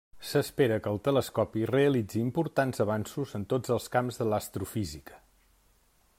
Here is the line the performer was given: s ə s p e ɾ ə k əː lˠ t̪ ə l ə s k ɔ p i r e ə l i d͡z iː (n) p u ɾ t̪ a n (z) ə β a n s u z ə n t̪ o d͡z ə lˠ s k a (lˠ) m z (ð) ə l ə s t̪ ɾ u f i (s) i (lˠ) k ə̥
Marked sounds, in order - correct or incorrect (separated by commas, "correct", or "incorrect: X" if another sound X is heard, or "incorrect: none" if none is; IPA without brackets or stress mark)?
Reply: incorrect: m, correct, incorrect: none, correct, incorrect: z, incorrect: none